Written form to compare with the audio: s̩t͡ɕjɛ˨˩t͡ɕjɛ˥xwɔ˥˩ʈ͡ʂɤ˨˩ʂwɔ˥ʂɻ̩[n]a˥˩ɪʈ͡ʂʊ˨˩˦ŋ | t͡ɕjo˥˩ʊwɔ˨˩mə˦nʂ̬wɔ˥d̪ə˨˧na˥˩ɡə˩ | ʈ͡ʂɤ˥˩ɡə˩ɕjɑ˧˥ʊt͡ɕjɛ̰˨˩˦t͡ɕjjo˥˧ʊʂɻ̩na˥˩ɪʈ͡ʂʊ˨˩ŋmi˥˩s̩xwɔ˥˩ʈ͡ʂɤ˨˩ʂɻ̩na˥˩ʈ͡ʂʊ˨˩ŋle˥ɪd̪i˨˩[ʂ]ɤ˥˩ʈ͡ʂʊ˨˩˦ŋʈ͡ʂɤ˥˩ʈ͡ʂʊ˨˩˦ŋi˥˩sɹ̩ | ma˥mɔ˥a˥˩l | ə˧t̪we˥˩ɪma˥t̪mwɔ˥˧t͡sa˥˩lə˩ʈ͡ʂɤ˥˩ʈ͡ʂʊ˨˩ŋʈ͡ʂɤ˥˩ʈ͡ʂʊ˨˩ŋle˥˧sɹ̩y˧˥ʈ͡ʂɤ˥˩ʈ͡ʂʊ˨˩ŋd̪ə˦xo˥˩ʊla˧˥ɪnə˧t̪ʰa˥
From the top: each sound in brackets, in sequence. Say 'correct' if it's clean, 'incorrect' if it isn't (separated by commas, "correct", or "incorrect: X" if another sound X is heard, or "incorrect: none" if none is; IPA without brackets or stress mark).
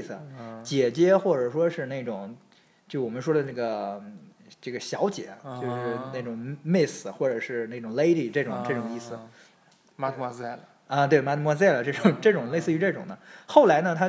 correct, incorrect: ʈ͡ʂ